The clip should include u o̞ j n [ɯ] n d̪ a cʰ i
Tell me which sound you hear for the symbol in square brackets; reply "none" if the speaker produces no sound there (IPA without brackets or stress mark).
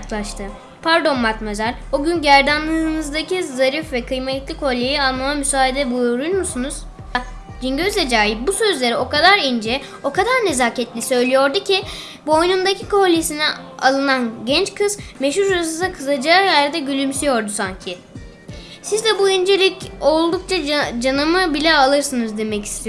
u